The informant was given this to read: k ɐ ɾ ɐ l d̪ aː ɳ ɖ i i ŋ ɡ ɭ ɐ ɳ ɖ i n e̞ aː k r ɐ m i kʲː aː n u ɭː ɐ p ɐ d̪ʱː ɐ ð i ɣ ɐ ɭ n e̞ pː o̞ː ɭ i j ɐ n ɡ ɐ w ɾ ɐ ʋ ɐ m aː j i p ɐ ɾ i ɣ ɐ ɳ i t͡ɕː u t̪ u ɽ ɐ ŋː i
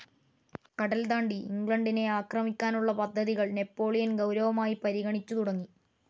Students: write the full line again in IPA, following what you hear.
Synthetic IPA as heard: k ɐ ɽ ɐ l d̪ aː ɳ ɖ i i ŋ ɡ ɭ ɐ ɳ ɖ i n e̞ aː k r ɐ m i kʲː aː n u ɭː ɐ p ɐ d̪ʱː ɐ ð i ɣ ɐ ɭ n e̞ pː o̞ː ɭ i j ɐ n ɡ ɐ w ɾ ɐ ʋ ɐ m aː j i p ɐ ɾ i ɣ ɐ ɳ i t͡ɕː u t̪ u ɽ ɐ ŋː i